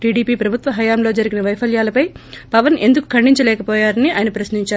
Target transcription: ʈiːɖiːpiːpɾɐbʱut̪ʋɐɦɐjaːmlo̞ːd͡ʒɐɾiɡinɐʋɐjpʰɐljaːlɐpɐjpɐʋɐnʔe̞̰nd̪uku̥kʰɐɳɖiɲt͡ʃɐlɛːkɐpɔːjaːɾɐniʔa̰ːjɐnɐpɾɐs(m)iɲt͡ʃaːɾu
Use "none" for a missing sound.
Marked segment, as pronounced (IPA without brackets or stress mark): n